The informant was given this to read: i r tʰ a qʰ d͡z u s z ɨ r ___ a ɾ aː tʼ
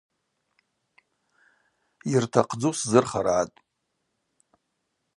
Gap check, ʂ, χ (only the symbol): χ